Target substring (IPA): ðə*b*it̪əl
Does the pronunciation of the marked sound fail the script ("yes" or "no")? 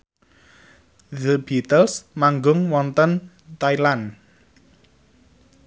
no